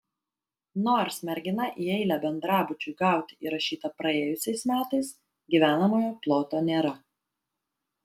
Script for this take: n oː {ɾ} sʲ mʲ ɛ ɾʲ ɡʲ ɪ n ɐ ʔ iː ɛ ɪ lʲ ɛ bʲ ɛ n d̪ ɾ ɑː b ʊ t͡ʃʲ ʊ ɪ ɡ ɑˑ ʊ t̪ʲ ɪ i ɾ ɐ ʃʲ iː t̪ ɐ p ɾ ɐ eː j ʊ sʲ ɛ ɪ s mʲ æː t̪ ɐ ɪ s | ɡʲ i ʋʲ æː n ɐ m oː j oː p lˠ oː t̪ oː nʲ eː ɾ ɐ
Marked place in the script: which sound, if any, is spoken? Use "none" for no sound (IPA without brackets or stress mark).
ɾ